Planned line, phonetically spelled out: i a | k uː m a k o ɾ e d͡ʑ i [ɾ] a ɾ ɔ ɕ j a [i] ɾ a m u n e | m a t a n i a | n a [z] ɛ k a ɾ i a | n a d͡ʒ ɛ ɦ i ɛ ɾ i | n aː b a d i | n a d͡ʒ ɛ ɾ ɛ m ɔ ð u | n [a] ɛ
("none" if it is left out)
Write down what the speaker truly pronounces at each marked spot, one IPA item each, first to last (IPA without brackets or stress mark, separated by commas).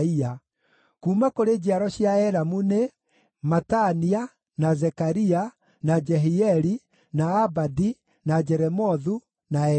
none, ɛ, z, a